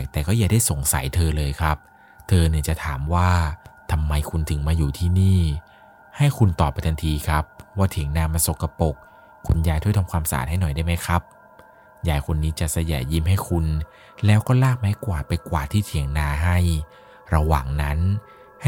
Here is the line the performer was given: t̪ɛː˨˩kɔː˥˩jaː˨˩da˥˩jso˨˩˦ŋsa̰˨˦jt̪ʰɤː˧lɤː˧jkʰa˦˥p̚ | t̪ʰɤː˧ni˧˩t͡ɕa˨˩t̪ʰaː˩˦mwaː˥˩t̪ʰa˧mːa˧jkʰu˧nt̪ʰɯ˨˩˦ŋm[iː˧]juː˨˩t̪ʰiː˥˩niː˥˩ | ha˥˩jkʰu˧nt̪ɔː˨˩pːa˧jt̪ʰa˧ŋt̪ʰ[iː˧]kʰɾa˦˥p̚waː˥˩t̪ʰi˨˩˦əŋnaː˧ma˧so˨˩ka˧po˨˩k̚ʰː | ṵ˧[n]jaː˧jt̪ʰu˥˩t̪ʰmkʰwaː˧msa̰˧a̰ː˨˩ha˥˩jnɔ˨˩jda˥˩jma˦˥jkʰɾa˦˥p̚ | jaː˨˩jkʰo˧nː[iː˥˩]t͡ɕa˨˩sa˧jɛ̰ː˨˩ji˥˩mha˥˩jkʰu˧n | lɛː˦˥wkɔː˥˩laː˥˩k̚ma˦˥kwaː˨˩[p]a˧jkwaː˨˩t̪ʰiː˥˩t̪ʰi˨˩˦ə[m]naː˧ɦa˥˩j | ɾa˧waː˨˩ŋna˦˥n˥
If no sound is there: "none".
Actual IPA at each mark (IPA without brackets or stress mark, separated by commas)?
aː˧, iː˧, n, iː˦˥, p, ŋ